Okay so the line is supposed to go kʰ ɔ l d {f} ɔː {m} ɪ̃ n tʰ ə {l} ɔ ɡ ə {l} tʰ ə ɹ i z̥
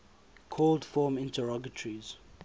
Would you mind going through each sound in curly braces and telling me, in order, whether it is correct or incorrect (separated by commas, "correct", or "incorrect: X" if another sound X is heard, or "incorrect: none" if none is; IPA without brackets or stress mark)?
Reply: correct, correct, incorrect: ɹ, incorrect: none